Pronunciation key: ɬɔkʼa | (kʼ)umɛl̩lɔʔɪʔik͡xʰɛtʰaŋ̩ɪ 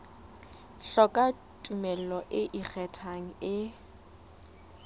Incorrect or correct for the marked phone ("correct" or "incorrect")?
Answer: incorrect